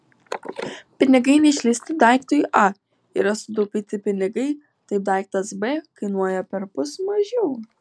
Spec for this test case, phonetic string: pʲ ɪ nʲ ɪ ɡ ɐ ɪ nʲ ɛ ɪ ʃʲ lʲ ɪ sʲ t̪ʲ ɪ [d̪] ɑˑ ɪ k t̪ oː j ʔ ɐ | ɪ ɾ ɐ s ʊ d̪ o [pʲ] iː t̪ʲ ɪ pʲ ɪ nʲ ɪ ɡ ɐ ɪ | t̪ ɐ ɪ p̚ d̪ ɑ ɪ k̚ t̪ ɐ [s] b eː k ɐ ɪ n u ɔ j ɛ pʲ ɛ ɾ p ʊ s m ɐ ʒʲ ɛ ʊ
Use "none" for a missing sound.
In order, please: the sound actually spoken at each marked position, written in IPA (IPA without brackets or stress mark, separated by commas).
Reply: d̪, pʲ, s